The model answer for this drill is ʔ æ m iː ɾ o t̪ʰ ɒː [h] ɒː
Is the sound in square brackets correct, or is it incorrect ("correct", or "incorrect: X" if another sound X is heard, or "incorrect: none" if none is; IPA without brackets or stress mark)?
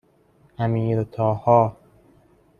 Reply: correct